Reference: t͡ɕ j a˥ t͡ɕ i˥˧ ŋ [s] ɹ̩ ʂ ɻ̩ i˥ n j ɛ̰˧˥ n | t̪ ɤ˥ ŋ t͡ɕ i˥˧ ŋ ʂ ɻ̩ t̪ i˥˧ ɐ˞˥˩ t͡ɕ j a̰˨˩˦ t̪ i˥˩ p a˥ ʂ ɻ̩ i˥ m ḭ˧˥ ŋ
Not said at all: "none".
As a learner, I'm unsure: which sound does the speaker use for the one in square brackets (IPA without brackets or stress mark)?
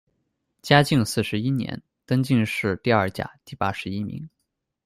s